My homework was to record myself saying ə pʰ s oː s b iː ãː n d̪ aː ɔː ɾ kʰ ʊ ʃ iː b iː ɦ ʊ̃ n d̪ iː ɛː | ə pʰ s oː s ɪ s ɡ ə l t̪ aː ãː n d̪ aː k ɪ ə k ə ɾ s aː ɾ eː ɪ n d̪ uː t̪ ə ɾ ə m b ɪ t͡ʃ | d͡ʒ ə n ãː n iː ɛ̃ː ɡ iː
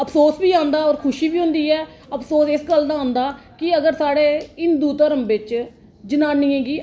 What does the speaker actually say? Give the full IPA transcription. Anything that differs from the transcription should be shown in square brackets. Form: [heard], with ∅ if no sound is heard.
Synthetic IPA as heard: ə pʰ s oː s b iː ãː n d̪ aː ɔː ɾ kʰ ʊ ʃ iː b iː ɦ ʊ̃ n d̪ iː ɛː | ə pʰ s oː s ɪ s ɡ ə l [d̪] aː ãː n d̪ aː k ɪ ə [ɡ] ə ɾ s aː [ɽ] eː ɪ n d̪ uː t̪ ə ɾ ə m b ɪ t͡ʃ | d͡ʒ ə n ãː n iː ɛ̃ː ɡ iː

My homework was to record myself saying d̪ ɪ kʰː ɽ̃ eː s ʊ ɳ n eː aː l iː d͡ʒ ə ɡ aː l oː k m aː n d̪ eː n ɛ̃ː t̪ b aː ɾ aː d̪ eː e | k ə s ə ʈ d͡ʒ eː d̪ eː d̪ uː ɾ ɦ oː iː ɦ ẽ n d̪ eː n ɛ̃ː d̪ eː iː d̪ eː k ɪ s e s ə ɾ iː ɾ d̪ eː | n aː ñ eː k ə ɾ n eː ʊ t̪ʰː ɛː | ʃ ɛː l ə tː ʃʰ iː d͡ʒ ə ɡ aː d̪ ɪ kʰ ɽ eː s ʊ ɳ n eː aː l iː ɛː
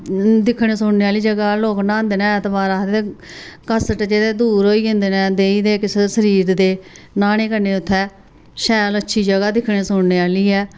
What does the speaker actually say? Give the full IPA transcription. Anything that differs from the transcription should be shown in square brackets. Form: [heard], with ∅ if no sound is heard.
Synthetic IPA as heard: d̪ ɪ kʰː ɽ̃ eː s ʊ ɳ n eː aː l iː d͡ʒ ə ɡ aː l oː k [n] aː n d̪ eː n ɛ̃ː t̪ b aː ɾ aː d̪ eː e | k ə s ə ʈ d͡ʒ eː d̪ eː d̪ uː ɾ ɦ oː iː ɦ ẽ n d̪ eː n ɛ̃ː d̪ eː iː d̪ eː k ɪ s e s ə ɾ iː ɾ d̪ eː | n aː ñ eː k ə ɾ n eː ʊ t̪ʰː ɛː | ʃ ɛː l ə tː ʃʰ iː d͡ʒ ə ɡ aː d̪ ɪ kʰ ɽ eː s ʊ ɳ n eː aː l iː ɛː

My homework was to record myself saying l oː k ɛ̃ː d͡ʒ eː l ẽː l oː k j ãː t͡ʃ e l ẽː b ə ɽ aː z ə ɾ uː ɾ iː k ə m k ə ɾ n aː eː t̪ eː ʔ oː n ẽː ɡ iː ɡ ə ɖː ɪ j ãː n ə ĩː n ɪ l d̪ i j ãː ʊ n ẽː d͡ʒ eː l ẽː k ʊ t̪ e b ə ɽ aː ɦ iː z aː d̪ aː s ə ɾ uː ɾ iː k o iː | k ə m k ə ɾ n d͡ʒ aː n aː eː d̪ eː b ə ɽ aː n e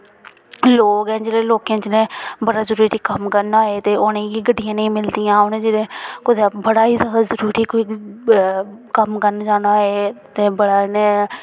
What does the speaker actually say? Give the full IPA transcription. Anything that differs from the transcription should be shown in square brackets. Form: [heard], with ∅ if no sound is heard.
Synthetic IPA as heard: l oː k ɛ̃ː d͡ʒ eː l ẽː l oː k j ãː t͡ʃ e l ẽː b ə ɽ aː z ə ɾ uː ɾ iː k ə m k ə ɾ n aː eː t̪ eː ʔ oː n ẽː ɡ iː ɡ ə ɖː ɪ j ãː n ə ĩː [m] ɪ l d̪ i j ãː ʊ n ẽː d͡ʒ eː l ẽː k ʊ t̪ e b ə ɽ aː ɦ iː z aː d̪ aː [z] ə ɾ uː ɾ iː k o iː | k ə m k ə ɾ n d͡ʒ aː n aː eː [t̪] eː b ə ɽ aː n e

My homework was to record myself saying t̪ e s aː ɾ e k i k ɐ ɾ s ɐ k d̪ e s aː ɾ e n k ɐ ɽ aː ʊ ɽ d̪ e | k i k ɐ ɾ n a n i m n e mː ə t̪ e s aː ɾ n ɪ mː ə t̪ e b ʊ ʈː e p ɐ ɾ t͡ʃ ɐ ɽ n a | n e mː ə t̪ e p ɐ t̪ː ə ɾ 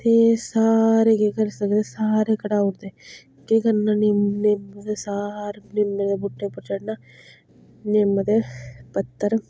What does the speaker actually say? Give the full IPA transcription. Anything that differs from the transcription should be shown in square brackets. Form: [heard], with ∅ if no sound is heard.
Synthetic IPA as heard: t̪ e s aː ɾ e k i k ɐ ɾ s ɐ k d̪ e s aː ɾ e [∅] k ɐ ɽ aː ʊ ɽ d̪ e | k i k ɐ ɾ n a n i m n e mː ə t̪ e s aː ɾ n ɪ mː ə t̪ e b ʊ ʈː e p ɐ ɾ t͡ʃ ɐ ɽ n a | n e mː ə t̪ e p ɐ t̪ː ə ɾ

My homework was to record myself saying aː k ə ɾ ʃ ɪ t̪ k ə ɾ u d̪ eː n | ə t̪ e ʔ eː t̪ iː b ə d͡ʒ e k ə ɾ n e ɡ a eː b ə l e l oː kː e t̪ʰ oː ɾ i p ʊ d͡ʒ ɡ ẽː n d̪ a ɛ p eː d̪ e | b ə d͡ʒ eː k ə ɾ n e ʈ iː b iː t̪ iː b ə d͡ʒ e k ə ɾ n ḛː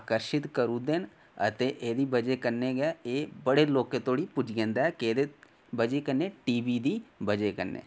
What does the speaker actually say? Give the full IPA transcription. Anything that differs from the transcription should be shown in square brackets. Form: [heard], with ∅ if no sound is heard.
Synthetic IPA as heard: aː k ə ɾ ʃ ɪ t̪ k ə ɾ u d̪ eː n | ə t̪ e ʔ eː [d̪] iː b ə d͡ʒ e k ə ɾ n e ɡ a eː b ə [ɽ] e l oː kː e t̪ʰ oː [ɽ] i p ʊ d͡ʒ ɡ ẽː n d̪ a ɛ [k] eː d̪ e | b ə d͡ʒ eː k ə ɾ n e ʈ iː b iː [d̪] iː b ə d͡ʒ e k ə ɾ n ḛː

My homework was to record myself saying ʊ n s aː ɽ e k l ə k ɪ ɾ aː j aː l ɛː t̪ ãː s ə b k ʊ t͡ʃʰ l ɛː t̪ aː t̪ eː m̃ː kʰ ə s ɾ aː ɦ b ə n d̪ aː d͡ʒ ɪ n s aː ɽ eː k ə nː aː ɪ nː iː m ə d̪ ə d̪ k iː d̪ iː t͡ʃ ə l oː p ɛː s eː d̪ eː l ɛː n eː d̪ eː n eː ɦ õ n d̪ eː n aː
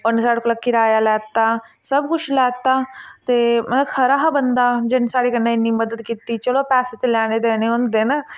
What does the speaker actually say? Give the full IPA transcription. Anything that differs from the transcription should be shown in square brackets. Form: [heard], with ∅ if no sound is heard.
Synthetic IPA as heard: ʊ n s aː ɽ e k l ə k ɪ ɾ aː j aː l ɛː t̪ [aː] s ə b k ʊ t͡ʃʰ l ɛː t̪ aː t̪ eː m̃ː kʰ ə [∅] ɾ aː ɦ b ə n d̪ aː d͡ʒ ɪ n s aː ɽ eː k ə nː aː ɪ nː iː m ə d̪ ə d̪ k iː [t̪] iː t͡ʃ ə l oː p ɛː s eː [t̪] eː l ɛː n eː d̪ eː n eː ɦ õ n d̪ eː n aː

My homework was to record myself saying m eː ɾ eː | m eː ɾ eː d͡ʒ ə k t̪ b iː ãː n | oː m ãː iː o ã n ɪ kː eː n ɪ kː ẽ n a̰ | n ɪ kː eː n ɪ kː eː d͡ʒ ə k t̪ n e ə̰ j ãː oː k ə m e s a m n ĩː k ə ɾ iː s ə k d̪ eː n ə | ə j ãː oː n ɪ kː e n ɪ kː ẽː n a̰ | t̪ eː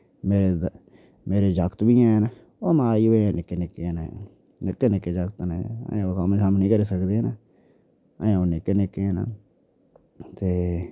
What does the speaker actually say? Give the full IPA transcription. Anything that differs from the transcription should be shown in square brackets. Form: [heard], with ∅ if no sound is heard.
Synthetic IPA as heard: m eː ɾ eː | m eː ɾ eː d͡ʒ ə k t̪ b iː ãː n | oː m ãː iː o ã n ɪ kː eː n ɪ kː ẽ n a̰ | n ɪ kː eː n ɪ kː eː d͡ʒ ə k t̪ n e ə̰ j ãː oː k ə m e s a m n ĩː k ə ɾ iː s ə k d̪ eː n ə | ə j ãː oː n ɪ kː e n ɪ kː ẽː n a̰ | t̪ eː

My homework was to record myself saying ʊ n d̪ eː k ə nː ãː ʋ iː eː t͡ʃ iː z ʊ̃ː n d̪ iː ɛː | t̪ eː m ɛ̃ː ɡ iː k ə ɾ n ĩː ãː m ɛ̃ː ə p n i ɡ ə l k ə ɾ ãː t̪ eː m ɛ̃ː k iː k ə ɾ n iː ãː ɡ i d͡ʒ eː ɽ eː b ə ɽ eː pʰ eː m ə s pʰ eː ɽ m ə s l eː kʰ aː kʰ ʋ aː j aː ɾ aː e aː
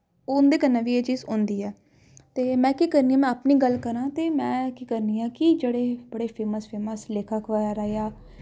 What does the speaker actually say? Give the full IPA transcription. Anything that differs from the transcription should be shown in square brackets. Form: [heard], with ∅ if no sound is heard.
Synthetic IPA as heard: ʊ n d̪ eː k ə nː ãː ʋ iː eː t͡ʃ iː z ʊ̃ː n d̪ iː ɛː | t̪ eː m ɛ̃ː [k] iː k ə ɾ n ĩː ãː m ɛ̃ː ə p n [iː] ɡ ə l k ə ɾ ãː t̪ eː m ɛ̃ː k iː k ə ɾ n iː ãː [k] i d͡ʒ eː ɽ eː b ə ɽ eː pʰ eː m ə s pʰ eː [∅] m ə s l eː kʰ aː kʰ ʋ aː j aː ɾ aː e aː

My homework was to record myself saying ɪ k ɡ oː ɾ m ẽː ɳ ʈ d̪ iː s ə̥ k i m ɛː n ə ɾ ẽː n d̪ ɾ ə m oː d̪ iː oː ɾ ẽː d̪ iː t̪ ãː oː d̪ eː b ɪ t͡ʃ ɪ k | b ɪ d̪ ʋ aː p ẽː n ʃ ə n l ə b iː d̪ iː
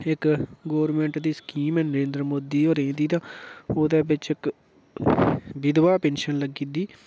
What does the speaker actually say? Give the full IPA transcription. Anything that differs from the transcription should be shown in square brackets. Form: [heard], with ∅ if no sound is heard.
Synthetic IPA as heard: ɪ k ɡ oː ɾ m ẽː ɳ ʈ d̪ iː s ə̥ k [iː] m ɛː n ə ɾ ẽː n d̪ ɾ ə m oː d̪ iː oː ɾ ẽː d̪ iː t̪ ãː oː d̪ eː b ɪ t͡ʃ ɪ k | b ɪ d̪ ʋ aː p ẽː n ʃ ə n l ə [ɡ] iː d̪ iː

